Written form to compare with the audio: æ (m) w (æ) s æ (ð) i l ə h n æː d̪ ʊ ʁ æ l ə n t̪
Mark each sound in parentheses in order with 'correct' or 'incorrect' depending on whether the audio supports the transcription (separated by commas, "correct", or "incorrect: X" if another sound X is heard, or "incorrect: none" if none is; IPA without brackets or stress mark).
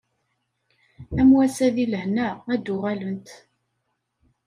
correct, correct, correct